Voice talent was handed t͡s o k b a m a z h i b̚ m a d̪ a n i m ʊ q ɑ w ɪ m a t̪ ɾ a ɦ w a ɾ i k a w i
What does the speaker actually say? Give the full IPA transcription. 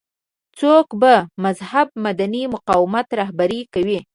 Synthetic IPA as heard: t͡s o k b a m a z h a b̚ m a d̪ a n i m ʊ q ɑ w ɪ m a t̪ ɾ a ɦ b a ɾ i k a w i